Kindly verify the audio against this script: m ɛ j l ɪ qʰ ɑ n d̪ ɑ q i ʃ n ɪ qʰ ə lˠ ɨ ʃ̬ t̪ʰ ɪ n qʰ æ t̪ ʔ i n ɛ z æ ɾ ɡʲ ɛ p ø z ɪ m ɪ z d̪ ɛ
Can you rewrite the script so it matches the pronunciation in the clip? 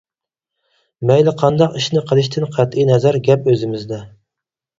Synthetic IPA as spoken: m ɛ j l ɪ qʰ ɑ n d̪ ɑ q i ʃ n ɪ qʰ ə lˠ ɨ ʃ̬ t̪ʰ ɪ n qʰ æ t̪ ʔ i n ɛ z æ ɾ ɡʲ ɛ p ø z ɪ m ɪ z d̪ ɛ